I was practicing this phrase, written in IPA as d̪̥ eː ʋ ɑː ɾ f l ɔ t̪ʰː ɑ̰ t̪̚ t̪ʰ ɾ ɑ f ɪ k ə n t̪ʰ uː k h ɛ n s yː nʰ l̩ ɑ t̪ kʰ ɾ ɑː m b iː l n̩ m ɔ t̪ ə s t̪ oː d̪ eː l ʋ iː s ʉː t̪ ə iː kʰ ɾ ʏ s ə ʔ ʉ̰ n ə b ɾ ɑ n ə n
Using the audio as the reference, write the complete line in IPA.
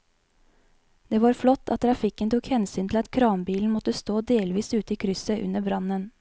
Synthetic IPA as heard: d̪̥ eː ʋ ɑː ɾ f l ɔ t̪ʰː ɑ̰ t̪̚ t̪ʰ ɾ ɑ f ɪ k ə n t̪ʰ uː k h ɛ n s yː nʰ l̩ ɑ t̪ kʰ ɾ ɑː m b iː l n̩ m ɔ t̪ ə s t̪ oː d̪ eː l ʋ iː s ʉː t̪ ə iː kʰ ɾ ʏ s ə ʔ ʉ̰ n ə b ɾ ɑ n ə n

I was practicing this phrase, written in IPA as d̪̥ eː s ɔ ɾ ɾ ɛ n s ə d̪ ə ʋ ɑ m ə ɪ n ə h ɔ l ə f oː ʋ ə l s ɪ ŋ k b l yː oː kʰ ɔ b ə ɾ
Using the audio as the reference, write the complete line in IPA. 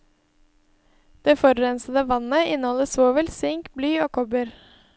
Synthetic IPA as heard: d̪̥ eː f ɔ ɾ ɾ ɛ n s ə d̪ ə ʋ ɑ n ə ɪ n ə h ɔ l ə s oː ʋ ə l s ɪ ŋ k b l yː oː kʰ ɔ b ə ɾ

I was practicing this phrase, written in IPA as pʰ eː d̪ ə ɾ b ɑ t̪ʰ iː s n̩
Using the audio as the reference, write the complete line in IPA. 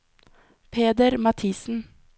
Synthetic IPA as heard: pʰ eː d̪ ə ɾ m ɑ t̪ʰ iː s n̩

